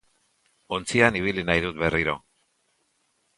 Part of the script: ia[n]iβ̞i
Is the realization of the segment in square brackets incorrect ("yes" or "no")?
no